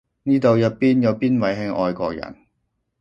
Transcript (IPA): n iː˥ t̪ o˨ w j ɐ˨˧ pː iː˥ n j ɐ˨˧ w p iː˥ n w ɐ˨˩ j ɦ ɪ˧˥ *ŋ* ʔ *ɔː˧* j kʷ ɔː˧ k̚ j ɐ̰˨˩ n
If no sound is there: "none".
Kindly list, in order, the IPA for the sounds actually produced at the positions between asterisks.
ŋ, ɔː˧

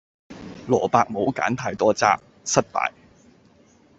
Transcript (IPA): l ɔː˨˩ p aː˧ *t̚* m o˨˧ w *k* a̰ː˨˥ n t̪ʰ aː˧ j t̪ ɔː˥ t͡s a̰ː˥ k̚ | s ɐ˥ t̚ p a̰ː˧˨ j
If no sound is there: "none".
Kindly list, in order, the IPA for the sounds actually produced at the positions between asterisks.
k̚, k

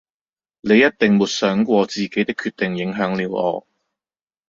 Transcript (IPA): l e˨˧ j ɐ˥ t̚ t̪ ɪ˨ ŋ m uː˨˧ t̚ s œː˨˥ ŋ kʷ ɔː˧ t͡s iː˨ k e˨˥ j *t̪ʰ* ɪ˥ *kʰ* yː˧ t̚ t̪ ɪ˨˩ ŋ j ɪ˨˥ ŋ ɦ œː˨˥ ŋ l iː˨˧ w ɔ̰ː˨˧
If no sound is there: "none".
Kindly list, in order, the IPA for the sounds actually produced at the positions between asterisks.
t̪, kʰ

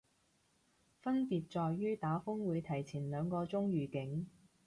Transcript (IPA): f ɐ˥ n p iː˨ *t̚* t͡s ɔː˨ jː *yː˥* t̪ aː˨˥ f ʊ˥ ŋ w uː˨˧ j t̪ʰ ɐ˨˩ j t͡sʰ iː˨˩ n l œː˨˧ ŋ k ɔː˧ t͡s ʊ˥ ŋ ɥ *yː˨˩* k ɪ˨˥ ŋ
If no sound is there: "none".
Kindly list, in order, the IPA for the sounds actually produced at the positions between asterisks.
t̚, yː˥, yː˨˩

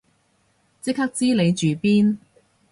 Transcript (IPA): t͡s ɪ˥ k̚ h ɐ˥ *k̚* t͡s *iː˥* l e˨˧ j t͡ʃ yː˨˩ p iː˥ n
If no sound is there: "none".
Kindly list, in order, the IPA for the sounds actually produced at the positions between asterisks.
k̚, iː˥

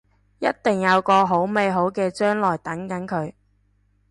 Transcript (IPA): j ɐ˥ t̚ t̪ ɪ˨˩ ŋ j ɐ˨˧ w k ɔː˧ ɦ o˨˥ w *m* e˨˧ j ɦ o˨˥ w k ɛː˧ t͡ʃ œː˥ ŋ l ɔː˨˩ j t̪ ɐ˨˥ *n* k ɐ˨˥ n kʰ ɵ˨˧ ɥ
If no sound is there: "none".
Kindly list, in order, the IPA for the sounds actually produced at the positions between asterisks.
m, ŋ

